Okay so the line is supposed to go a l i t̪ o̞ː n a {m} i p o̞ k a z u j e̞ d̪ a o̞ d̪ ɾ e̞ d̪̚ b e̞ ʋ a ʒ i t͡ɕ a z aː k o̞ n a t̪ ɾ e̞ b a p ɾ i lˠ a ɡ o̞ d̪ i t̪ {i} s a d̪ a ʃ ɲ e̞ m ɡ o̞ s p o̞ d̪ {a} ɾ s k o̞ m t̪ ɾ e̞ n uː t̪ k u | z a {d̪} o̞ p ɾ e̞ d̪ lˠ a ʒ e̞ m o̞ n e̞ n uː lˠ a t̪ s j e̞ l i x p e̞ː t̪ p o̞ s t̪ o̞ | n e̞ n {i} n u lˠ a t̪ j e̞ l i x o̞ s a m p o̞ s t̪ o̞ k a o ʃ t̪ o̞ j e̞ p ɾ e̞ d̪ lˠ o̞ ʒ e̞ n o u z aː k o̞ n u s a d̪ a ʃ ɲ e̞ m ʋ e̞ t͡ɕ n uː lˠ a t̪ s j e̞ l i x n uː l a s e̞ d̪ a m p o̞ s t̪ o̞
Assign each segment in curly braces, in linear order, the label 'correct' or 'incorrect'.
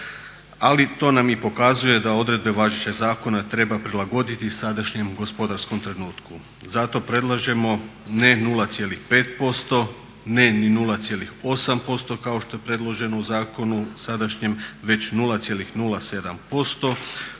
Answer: correct, correct, correct, incorrect: t̪, correct

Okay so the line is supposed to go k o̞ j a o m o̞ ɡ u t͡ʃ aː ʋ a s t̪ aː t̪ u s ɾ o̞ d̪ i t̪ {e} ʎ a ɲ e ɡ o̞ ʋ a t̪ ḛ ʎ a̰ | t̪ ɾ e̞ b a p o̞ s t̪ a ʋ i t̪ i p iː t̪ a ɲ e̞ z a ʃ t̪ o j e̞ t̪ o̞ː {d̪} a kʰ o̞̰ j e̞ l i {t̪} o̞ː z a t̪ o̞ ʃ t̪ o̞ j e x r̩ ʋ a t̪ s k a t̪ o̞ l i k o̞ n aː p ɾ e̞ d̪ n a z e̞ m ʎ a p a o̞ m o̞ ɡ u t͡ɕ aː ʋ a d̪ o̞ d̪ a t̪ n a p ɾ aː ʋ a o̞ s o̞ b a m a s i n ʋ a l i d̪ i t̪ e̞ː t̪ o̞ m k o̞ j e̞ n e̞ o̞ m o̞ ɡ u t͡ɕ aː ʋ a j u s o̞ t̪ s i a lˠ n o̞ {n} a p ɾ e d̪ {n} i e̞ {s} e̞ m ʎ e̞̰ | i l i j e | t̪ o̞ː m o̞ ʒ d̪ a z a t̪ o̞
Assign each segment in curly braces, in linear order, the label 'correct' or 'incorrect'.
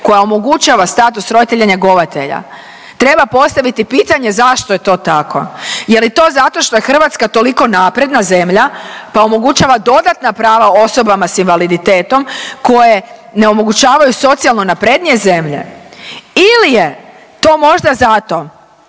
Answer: correct, incorrect: t̪, correct, correct, correct, incorrect: z

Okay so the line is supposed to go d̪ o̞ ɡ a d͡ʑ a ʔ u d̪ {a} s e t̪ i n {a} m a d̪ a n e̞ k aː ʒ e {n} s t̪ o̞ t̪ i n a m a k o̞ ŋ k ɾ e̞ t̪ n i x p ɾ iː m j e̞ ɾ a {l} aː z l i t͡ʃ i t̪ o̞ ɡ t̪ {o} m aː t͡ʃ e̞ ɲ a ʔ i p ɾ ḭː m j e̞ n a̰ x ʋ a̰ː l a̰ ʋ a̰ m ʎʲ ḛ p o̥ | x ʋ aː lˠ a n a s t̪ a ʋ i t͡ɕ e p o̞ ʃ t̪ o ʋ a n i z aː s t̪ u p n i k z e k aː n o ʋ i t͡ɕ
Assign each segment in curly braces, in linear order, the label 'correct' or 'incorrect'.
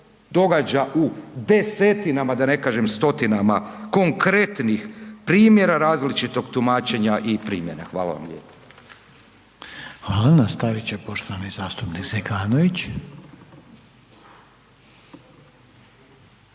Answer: incorrect: e, correct, incorrect: m, incorrect: ɾ, incorrect: u

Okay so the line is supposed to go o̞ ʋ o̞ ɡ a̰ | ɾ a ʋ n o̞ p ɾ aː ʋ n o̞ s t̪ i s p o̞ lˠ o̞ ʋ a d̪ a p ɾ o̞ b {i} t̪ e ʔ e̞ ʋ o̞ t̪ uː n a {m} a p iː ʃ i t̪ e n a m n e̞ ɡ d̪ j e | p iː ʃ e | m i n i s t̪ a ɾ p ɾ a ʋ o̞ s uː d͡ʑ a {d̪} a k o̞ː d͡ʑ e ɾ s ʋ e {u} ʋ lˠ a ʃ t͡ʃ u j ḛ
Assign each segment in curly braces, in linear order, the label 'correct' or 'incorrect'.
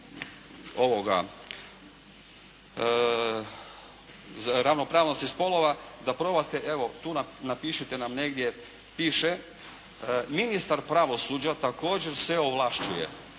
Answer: incorrect: a, incorrect: n, incorrect: t̪, incorrect: o

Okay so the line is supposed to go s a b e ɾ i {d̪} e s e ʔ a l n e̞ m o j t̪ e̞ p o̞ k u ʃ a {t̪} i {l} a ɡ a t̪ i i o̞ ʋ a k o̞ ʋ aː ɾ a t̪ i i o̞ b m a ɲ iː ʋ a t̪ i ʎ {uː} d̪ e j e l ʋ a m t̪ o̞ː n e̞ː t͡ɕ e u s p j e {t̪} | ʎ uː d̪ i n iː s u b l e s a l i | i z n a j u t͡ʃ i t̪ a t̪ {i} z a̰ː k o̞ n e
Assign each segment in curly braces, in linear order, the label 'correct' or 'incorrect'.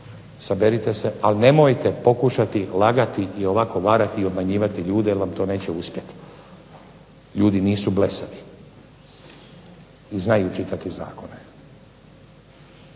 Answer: incorrect: t̪, correct, correct, correct, correct, correct

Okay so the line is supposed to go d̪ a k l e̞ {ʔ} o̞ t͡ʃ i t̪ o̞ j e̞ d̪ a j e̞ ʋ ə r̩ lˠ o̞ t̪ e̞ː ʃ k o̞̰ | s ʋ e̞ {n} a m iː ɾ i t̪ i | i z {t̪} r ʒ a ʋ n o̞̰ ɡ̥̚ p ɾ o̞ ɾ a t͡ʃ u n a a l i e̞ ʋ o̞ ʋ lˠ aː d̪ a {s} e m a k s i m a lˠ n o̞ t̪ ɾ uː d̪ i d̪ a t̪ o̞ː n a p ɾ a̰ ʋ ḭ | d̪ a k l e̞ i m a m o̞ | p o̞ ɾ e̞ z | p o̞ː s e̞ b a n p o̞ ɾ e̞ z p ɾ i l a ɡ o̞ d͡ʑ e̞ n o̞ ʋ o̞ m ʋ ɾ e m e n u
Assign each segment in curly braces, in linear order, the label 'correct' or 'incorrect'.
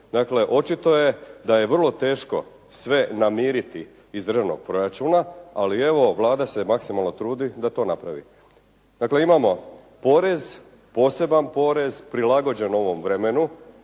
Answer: correct, correct, incorrect: d̪, correct

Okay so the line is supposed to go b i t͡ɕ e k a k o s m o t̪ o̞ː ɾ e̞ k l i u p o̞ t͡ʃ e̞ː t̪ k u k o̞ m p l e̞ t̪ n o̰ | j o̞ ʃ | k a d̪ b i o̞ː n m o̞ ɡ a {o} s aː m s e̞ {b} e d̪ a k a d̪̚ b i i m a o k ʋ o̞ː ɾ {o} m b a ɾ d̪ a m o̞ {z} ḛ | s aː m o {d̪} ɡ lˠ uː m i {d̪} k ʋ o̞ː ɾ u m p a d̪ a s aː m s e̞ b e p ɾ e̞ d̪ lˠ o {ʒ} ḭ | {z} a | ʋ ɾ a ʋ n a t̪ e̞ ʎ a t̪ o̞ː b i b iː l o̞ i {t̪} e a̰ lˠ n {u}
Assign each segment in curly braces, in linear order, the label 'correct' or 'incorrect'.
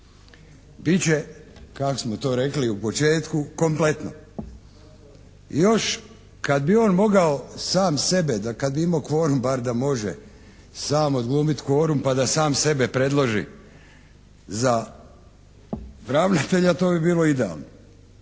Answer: correct, correct, incorrect: u, incorrect: ʒ, correct, incorrect: t̪, correct, correct, incorrect: d̪, incorrect: o

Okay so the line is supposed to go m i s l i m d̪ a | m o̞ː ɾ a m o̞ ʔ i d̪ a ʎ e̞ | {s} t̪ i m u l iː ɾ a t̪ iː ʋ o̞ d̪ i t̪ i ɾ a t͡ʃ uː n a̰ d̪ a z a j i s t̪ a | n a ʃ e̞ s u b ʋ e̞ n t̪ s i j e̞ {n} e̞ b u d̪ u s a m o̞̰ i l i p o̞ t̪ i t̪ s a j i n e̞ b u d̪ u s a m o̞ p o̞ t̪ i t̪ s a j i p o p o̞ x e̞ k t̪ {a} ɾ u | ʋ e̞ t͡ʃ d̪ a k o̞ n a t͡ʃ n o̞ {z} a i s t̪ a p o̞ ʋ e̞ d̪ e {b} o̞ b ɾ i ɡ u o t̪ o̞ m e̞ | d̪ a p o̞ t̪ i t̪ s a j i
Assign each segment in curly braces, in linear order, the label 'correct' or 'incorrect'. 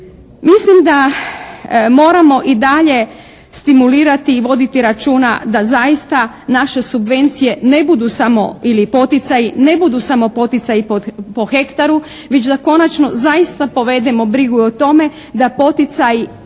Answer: correct, correct, correct, correct, incorrect: m

